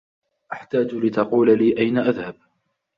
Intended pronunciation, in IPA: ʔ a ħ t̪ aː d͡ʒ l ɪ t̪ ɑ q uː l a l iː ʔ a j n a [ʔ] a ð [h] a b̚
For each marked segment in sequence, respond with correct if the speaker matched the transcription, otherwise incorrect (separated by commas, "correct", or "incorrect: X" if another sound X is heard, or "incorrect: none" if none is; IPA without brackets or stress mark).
correct, correct